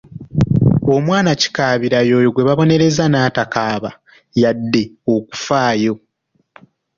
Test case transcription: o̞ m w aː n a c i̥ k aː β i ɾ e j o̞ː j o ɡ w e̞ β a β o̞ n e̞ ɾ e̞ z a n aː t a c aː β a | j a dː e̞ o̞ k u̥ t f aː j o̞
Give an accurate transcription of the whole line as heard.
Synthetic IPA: o̞ m w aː n a c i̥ k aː β i ɾ a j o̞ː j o ɡ w e̞ β a β o̞ n e̞ ɾ e̞ z a n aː t a k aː β a | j a dː e̞ o̞ k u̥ f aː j o̞